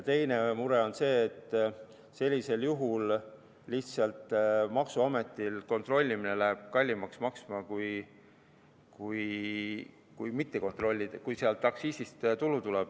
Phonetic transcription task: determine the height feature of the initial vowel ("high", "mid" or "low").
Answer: mid